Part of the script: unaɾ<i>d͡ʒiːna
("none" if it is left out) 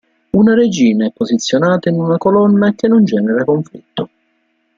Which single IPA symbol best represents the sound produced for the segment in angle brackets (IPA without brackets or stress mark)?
e